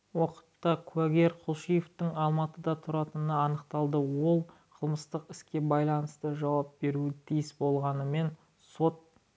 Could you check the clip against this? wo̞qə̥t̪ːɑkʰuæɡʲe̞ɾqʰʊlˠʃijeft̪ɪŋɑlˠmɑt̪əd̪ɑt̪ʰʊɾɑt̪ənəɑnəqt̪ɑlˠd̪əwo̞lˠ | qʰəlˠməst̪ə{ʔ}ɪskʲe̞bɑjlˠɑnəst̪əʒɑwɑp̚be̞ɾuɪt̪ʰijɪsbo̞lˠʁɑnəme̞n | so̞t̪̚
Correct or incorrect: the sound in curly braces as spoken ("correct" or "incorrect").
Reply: incorrect